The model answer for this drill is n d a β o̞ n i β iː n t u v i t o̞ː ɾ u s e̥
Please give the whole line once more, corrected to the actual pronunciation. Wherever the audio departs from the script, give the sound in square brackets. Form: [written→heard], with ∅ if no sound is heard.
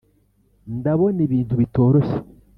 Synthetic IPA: n d a β o̞ n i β iː n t u [v→β] i t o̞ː ɾ [u→o] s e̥